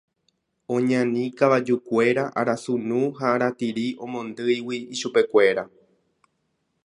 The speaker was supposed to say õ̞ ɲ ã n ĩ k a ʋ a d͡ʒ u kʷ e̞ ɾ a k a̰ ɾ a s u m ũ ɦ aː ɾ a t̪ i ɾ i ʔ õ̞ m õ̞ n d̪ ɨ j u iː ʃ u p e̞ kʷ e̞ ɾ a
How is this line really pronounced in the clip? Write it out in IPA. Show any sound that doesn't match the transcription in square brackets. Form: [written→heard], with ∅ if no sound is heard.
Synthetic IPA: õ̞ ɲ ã n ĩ k a ʋ a d͡ʒ u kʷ e̞ ɾ a [k→ʔ] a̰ ɾ a s u [m→n] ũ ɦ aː ɾ a t̪ i ɾ i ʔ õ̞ m õ̞ n d̪ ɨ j [u→w] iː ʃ u p e̞ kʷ e̞ ɾ a